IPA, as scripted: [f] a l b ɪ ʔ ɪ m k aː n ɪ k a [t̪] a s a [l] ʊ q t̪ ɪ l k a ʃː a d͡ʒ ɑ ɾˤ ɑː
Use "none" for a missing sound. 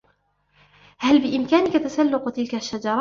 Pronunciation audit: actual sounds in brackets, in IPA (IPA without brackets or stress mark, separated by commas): h, t̪, lː